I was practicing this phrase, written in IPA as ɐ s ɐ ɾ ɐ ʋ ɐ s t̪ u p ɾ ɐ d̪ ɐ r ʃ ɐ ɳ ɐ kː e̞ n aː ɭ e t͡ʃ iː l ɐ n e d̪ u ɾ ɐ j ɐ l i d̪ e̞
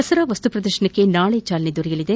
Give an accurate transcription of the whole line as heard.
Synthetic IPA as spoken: ɐ s ɐ ɾ ɐ ʋ ɐ s t̪ u p ɾ ɐ d̪ ɐ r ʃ ɐ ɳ ɐ kː e̞ n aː ɭ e t͡ʃ aː l ɐ n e d̪ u ɾ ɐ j ɐ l i d̪ e̞